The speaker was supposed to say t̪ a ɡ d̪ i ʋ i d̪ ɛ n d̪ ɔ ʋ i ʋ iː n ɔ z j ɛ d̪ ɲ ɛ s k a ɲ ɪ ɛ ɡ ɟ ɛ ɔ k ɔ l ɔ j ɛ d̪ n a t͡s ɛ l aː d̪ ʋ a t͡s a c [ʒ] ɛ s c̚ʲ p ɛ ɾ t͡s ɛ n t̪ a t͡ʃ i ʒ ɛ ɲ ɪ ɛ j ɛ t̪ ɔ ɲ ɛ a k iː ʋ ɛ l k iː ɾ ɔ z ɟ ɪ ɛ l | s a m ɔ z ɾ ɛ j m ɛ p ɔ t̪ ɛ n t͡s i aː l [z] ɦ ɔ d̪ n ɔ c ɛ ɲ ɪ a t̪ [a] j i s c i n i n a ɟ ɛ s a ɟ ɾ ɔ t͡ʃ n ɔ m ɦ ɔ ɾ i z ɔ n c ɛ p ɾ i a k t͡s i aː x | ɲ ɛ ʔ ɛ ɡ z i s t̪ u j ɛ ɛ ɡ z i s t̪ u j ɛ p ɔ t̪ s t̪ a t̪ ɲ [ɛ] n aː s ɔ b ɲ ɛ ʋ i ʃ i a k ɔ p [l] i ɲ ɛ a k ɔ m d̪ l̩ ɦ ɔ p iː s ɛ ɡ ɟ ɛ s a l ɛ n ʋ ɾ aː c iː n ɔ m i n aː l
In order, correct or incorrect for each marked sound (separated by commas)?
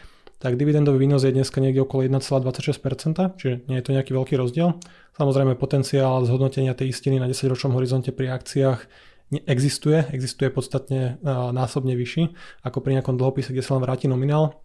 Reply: incorrect, correct, incorrect, correct, incorrect